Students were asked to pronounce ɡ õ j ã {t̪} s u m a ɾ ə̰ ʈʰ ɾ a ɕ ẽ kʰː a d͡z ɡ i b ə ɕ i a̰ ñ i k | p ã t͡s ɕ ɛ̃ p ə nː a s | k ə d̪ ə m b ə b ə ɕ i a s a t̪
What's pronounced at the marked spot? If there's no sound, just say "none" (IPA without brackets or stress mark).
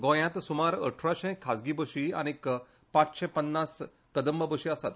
t̪